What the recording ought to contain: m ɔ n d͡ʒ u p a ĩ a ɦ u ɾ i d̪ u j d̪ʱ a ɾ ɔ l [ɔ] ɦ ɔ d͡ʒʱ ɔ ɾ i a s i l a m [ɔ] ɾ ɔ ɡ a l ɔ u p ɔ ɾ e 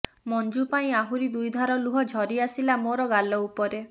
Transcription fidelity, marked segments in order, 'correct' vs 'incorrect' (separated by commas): incorrect, incorrect